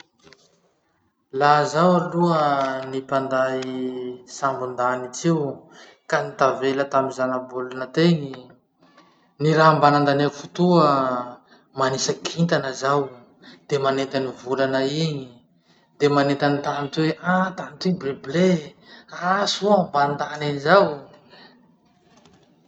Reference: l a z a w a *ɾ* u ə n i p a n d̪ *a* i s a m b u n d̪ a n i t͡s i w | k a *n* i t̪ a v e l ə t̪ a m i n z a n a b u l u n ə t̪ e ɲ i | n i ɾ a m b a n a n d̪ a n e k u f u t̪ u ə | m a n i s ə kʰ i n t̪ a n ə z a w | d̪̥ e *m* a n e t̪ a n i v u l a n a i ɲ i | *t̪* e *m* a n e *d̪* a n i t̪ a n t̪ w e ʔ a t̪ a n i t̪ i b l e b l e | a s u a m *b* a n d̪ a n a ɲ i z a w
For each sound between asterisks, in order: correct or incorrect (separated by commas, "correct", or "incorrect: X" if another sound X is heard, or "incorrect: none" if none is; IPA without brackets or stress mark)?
incorrect: l, correct, correct, correct, incorrect: d̪, correct, incorrect: t̪, correct